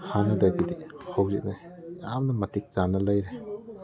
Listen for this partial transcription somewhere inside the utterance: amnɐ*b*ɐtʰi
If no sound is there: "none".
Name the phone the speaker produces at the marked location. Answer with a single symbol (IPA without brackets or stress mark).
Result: m